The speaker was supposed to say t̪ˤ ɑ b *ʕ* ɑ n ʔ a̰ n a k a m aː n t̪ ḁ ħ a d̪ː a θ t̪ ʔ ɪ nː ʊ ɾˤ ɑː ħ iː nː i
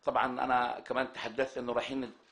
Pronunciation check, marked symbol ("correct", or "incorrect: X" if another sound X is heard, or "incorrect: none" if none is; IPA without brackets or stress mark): correct